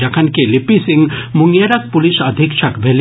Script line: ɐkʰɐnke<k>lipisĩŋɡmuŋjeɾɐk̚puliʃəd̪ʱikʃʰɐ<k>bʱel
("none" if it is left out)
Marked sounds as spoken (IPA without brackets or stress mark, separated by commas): none, k